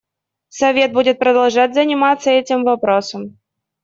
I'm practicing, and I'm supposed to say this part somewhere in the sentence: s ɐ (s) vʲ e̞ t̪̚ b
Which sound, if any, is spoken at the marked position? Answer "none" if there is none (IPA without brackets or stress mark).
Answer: none